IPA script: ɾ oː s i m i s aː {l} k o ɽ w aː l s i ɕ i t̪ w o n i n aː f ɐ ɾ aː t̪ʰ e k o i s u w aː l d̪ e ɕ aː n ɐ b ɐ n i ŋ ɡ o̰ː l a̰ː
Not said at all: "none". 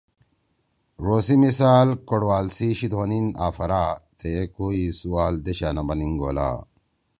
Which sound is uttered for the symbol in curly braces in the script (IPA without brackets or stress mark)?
l